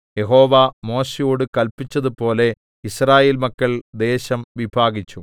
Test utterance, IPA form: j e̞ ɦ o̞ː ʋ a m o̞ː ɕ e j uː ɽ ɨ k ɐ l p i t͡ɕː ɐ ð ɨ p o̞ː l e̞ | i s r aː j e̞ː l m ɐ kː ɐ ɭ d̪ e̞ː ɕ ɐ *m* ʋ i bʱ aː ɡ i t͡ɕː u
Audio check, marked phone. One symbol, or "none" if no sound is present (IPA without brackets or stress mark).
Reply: m